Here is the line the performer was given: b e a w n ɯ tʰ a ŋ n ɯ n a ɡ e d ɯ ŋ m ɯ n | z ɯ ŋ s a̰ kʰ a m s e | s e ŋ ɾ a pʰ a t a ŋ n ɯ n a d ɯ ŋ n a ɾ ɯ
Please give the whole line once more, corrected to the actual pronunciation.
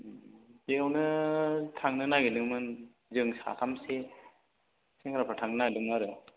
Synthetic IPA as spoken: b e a w n ɯ tʰ a ŋ n ɯ n a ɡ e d ɯ ŋ m ɯ n | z ɯ ŋ s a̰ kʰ a m s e | s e ŋ ɾ a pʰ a tʰ a ŋ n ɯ n a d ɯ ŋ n a ɾ ɯ